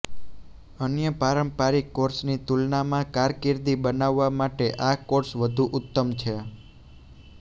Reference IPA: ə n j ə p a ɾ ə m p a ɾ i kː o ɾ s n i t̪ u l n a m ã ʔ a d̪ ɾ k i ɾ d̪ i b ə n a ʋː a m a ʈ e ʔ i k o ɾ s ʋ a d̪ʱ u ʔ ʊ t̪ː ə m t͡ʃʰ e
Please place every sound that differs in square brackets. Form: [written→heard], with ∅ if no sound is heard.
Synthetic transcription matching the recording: ə n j ə p a ɾ ə m p a ɾ i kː o ɾ s n i t̪ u l n a m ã [ʔ→k] a [d̪→∅] ɾ k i ɾ d̪ i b ə n a ʋː a m a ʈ e ʔ [i→a] k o ɾ s ʋ [a→ə] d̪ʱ u ʔ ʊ t̪ː ə m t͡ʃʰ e